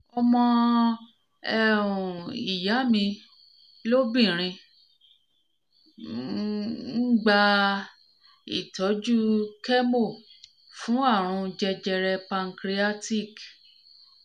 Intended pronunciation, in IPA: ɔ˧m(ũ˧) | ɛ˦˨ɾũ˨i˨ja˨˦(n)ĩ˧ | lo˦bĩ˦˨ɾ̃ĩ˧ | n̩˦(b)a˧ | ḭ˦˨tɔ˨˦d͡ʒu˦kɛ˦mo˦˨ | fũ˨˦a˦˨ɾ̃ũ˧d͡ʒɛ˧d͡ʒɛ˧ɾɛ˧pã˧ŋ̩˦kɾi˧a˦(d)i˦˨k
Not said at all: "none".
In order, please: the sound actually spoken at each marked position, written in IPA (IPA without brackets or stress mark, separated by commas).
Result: ɔ̃˧, m, ɡ͡b, t